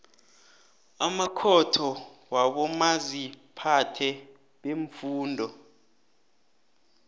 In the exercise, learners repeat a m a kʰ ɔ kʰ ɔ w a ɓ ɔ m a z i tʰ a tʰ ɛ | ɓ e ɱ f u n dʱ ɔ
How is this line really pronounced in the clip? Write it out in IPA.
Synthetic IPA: a m a kʰ ɔ tʰ ɔ w a ɓ ɔ m a z i pʰ a tʰ ɛ | ɓ e ɱ f uː n dʱ ɔ